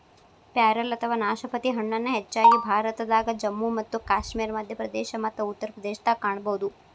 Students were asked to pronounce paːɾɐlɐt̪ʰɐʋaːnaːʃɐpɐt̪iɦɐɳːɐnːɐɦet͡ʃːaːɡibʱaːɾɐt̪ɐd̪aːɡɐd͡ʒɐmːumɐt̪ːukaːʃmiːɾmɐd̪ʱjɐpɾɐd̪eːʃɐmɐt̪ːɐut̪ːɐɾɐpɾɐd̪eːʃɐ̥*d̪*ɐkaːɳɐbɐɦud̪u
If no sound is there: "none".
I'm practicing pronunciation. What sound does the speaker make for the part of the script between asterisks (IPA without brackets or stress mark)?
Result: t̪